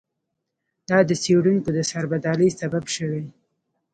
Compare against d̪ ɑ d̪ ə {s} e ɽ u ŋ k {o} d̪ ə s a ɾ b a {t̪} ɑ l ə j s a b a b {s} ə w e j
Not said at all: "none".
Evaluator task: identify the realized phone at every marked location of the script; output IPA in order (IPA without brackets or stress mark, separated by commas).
s, o, d̪, ʃ